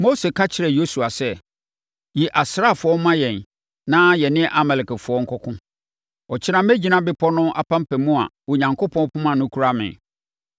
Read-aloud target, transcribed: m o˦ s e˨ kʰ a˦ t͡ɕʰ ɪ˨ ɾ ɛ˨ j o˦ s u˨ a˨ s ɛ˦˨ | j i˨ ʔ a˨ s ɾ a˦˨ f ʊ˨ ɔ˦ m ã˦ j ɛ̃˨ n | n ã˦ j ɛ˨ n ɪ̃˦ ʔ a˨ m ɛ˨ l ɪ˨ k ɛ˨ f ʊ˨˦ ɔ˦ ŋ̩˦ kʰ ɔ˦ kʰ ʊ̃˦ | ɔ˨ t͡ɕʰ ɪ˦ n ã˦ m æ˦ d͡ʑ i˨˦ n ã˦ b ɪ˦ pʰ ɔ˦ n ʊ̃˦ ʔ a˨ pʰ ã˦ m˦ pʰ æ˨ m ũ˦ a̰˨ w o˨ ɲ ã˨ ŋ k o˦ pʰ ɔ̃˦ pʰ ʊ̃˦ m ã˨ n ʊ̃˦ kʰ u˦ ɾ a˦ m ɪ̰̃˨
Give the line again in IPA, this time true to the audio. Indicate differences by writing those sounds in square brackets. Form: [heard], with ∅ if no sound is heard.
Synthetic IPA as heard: m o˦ s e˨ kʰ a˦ t͡ɕʰ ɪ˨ ɾ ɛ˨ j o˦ s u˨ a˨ s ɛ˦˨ | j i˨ ʔ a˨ s ɾ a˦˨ f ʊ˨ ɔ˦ m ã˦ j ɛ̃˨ n | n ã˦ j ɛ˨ n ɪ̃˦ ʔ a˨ m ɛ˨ l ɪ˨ k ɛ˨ f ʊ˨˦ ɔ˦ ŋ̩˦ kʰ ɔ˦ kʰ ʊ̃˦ | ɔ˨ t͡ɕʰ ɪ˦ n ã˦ m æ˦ d͡ʑ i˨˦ n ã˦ b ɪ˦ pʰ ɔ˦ n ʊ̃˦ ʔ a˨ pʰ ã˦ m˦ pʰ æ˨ m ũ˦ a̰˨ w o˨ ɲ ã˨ ŋ k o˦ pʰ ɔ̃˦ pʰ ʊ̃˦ m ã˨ n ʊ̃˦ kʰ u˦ ɾ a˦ m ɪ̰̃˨